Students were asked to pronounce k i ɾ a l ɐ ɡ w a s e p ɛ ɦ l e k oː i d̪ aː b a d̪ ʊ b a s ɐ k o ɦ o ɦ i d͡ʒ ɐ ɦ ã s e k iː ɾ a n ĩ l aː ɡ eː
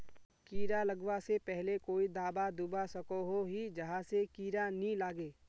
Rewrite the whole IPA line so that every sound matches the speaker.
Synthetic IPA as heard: k iː ɾ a l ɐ ɡ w a s e p ɛ ɦ l e k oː i d̪ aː b a d̪ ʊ b a s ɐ k o ɦ o ɦ i d͡ʒ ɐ ɦ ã s e k iː ɾ a n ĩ l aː ɡ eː